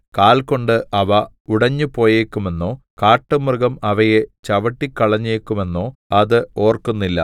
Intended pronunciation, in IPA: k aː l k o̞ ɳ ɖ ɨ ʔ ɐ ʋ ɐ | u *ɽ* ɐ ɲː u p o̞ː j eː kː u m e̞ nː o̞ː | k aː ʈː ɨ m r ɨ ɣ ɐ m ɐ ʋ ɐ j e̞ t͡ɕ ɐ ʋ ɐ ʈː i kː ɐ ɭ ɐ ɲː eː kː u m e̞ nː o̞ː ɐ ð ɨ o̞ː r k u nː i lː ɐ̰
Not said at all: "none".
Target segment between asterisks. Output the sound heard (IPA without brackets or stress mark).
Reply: ɽ